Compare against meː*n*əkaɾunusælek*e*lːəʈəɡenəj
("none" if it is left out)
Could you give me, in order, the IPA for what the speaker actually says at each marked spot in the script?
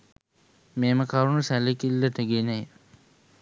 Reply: m, i

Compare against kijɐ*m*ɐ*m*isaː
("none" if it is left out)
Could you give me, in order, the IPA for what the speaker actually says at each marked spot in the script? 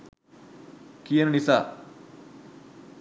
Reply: n, n

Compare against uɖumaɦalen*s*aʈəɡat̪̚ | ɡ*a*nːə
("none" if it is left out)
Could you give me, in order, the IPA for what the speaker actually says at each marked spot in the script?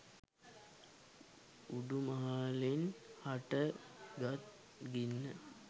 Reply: h, i

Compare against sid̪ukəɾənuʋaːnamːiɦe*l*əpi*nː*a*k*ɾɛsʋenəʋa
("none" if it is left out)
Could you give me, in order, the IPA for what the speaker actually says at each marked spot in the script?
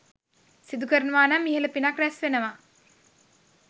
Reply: l, n, k

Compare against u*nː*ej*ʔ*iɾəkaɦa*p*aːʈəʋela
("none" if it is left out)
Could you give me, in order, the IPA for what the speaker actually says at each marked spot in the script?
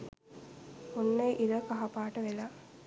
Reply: nː, ʔ, p

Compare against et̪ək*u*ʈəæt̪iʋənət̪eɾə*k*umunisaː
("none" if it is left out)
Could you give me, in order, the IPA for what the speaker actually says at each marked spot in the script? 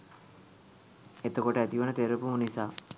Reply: o, p

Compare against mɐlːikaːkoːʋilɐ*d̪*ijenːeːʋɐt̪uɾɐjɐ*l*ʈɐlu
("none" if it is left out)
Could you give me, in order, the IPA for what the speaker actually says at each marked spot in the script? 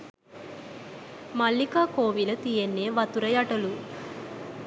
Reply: t̪, none

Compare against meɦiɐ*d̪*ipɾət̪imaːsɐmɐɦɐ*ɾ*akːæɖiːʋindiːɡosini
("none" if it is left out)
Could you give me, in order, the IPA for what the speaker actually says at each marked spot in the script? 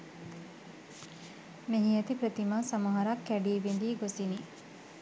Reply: t̪, ɾ

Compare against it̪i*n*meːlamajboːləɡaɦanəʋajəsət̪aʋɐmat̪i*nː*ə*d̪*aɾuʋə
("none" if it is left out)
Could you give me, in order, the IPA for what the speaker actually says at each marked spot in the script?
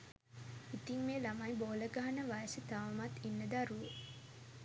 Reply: ŋ, nː, d̪

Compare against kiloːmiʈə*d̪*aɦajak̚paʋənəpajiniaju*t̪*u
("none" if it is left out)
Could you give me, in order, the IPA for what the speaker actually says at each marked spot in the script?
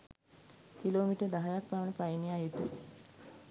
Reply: d̪, t̪

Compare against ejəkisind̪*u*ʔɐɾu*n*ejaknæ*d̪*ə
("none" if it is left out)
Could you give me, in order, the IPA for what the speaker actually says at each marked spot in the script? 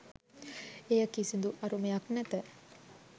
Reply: u, m, t̪

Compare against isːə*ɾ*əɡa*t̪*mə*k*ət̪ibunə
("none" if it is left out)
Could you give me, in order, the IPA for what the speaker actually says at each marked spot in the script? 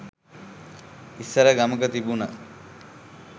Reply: ɾ, none, k

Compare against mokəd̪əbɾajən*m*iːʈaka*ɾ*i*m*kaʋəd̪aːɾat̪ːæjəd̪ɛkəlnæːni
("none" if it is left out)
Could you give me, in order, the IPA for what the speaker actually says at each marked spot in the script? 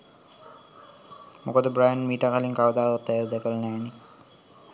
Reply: m, l, ŋ

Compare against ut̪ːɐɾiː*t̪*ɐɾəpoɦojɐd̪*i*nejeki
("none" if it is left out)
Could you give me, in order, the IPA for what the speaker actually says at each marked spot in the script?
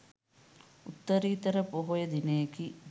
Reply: t̪, i

